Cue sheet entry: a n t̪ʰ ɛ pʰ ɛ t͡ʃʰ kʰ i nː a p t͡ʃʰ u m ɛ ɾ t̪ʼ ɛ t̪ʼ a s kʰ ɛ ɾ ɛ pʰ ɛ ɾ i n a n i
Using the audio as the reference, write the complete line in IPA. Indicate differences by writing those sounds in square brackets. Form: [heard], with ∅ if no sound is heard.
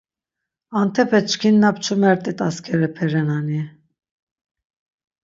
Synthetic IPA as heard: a n t̪ʰ ɛ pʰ ɛ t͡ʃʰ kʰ i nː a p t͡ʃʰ u m ɛ ɾ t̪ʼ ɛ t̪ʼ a s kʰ ɛ ɾ ɛ pʰ ɛ ɾ [ɛ] n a n i